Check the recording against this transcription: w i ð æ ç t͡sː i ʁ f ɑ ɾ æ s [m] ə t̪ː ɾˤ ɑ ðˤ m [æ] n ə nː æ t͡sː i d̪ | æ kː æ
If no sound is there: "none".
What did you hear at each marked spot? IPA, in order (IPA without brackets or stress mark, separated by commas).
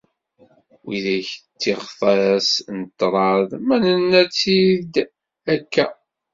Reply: n, æ